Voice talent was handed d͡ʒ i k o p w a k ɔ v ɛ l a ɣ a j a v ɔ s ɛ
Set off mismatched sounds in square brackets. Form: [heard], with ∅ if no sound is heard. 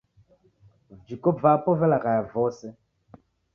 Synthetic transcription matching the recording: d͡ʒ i k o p [v] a [p] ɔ v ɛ l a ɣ a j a v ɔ s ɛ